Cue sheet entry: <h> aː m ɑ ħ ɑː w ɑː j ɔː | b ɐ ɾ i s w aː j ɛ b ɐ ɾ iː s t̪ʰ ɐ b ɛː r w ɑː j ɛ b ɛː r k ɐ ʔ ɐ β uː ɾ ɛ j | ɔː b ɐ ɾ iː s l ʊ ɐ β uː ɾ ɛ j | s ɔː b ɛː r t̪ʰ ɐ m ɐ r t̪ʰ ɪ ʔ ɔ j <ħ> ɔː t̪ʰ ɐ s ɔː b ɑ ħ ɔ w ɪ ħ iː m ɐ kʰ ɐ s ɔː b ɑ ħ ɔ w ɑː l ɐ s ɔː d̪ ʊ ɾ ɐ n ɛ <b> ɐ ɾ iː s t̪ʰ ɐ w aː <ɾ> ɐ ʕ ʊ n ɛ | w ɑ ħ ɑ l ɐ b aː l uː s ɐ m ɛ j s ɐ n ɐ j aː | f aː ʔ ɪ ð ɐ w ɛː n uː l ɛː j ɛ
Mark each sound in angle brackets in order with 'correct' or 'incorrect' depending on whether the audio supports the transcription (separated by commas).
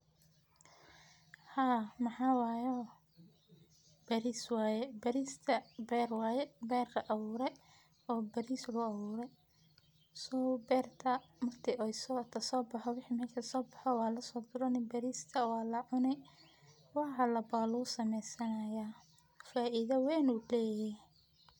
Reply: correct, incorrect, correct, incorrect